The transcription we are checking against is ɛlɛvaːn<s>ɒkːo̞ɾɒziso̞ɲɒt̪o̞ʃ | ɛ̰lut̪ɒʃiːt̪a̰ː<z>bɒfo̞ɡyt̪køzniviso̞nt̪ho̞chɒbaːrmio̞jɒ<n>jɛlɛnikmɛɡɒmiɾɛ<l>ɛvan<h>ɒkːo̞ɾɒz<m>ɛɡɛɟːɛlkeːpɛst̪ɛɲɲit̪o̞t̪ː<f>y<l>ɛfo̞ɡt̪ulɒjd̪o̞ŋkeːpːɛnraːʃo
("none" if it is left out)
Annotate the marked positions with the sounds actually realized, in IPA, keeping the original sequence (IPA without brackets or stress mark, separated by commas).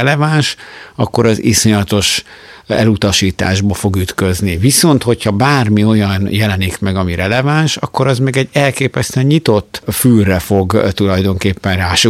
ʃ, ʒ, n, l, ʃ, m, f, r